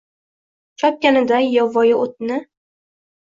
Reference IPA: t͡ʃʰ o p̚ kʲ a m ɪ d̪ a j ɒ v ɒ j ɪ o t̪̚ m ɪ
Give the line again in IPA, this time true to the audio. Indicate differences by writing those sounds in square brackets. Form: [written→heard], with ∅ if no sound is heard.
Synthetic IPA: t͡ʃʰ [o→ɒ] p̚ kʲ a [m→n] ɪ d̪ a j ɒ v ɒ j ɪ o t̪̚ [m→n] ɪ

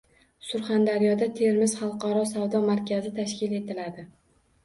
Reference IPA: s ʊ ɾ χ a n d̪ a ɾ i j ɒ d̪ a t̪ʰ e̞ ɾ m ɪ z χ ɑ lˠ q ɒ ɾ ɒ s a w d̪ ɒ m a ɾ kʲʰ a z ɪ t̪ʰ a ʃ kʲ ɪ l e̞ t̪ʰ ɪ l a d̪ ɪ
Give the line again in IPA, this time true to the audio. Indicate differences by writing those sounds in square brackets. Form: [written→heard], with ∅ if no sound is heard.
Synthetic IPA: s ʊ ɾ χ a n d̪ a ɾ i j ɒ d̪ a t̪ʰ e̞ ɾ m ɪ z χ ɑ lˠ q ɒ ɾ ɒ s a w d̪ ɒ m a ɾ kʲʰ a z ɪ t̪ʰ a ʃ kʲ ɪ l e̞ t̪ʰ ɪ l a d̪ ɪ

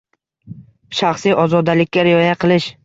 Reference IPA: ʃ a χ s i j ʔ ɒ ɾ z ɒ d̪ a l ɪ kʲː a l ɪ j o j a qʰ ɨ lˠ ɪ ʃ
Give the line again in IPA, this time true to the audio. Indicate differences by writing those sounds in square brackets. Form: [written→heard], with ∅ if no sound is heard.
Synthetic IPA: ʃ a χ s i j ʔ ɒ [ɾ→∅] z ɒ d̪ a l ɪ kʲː a [l→ɾ] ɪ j [o→ɒ] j a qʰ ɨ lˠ ɪ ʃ

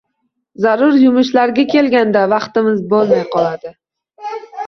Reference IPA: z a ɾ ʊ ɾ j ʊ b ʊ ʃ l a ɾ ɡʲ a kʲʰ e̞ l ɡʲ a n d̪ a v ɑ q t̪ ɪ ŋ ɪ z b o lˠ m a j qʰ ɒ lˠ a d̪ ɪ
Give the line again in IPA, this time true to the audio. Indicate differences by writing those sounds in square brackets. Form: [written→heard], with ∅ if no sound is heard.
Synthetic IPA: z a ɾ ʊ ɾ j ʊ [b→m] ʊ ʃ l a ɾ ɡʲ a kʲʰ e̞ l ɡʲ a n d̪ a v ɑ q t̪ ɪ [ŋ→m] ɪ z b o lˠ m a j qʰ ɒ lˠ a d̪ ɪ

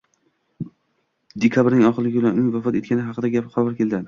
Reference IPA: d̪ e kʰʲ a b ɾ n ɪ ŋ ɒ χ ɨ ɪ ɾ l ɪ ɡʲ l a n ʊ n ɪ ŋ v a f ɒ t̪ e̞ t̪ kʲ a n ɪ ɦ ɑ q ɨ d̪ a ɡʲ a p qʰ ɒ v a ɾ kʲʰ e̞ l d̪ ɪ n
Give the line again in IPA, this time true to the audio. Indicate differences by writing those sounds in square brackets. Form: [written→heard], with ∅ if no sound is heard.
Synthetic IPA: d̪ e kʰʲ a b ɾ n ɪ ŋ ɒ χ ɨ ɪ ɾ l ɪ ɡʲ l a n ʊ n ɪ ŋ v a f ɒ t̪ e̞ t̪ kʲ a n ɪ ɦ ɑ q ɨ d̪ a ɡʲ a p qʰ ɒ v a ɾ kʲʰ e̞ l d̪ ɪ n

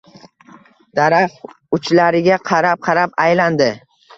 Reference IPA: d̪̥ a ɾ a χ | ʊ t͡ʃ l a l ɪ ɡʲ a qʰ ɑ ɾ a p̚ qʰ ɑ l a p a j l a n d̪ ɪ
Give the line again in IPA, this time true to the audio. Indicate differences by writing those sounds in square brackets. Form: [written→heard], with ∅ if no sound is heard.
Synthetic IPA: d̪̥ a ɾ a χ | ʊ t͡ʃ l a [l→ɾ] ɪ ɡʲ a qʰ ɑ ɾ a p̚ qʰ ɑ [l→ɾ] a p a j l a n d̪ ɪ

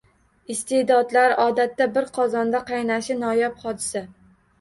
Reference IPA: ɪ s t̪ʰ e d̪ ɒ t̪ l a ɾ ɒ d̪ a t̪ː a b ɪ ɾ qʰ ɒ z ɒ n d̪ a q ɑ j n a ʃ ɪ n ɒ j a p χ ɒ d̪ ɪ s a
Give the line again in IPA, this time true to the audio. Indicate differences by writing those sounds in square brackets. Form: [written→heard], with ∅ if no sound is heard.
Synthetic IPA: ɪ s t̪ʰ e d̪ ɒ [t̪→d̪] l a ɾ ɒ d̪ a t̪ː a b ɪ ɾ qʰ ɒ z ɒ n d̪ a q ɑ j n a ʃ ɪ n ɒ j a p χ ɒ d̪ ɪ s a

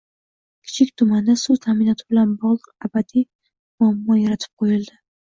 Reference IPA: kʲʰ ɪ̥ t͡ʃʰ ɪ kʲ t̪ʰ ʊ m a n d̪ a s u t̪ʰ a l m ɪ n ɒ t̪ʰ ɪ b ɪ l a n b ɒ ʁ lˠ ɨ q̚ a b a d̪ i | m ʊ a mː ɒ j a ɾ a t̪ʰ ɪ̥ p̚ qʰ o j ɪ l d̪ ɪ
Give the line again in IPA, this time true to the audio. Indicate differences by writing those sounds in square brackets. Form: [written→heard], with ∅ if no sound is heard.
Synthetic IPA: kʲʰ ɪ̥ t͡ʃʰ ɪ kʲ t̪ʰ ʊ m a n d̪ a s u t̪ʰ a [l→∅] m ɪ n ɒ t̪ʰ ɪ b ɪ l a n b ɒ ʁ lˠ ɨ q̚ a b a d̪ i | m ʊ a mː ɒ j a ɾ a t̪ʰ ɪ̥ p̚ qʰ o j ɪ l d̪ ɪ

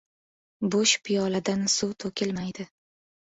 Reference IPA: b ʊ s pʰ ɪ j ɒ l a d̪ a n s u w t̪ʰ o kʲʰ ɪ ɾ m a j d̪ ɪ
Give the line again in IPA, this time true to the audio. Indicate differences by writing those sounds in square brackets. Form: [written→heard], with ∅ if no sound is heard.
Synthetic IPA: b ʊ [s→ʃ] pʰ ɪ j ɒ l a d̪ a n s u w t̪ʰ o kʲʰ ɪ [ɾ→l] m a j d̪ ɪ

